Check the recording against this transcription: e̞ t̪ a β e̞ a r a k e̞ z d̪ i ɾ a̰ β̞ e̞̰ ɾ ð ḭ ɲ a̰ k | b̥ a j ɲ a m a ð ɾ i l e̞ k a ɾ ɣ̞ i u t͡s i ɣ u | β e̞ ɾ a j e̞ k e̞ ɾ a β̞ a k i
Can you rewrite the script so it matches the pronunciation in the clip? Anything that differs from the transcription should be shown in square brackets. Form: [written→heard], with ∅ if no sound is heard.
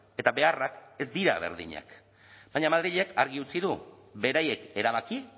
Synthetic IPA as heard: e̞ t̪ a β e̞ a r a k e̞ z d̪ i ɾ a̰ β̞ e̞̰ ɾ ð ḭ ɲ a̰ k | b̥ a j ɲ a m a ð ɾ i [l→ʎ] e̞ k a ɾ ɣ̞ i u t͡s i [ɣ→ð] u | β e̞ ɾ a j e̞ k e̞ ɾ a β̞ a k i